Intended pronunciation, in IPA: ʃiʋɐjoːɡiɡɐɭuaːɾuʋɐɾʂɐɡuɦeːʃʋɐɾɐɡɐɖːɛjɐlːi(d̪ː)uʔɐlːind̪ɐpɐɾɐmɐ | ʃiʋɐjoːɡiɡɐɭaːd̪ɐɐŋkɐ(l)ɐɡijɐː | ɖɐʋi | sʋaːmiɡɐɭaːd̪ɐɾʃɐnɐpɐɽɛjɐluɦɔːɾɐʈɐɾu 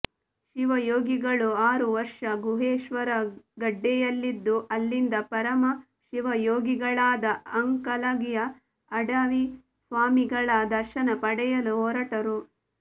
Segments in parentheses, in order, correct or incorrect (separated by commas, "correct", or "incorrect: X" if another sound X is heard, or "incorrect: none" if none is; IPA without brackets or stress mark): correct, correct